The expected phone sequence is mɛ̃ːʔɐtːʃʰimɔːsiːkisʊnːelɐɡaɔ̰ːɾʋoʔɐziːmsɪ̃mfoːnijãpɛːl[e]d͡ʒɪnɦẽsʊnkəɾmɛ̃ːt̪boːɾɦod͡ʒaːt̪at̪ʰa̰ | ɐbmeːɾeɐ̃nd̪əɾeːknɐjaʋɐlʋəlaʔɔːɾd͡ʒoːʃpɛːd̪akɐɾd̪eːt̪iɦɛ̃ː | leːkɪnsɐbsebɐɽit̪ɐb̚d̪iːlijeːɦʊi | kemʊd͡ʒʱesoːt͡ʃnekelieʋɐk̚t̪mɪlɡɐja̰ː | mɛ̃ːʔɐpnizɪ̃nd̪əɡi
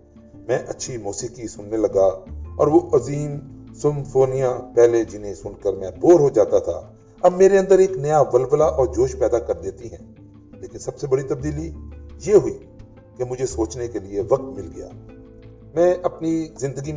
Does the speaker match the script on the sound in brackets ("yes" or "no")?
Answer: yes